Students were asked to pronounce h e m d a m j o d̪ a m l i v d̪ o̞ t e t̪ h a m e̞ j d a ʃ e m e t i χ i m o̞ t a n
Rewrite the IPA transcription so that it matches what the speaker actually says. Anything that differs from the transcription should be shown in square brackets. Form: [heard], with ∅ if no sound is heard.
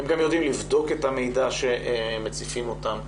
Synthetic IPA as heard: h e m [ɡ] a m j o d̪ [i] m l i v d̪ o̞ [k] e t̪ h a m e̞ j d a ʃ e m e [t͡s] i [f] i m o̞ t a [m]